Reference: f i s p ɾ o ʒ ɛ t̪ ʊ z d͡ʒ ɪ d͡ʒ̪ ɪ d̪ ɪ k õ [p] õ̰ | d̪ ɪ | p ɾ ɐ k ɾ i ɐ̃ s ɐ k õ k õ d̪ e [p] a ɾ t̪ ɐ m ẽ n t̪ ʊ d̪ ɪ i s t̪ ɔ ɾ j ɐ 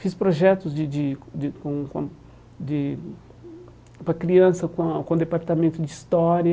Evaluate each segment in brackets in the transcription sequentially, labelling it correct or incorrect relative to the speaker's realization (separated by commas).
incorrect, correct